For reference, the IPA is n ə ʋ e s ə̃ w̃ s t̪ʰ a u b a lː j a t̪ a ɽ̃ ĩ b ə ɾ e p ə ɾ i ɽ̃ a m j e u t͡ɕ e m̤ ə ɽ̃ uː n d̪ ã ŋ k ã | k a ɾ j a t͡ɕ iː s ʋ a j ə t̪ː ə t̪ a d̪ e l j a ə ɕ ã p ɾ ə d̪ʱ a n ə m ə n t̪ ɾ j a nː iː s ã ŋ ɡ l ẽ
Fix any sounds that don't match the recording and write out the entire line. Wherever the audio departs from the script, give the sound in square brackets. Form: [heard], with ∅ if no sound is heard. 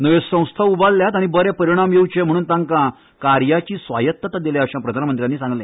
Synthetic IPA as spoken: n ə ʋ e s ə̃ w̃ s t̪ʰ a u b a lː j a t̪ a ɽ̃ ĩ b ə ɾ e p ə ɾ i ɽ̃ a m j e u t͡ɕ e m̤ ə ɽ̃ uː n [t̪] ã ŋ k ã | k a ɾ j a t͡ɕ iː s ʋ a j ə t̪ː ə t̪ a d̪ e l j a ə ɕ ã p ɾ ə d̪ʱ a n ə m ə n t̪ ɾ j a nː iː s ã ŋ ɡ l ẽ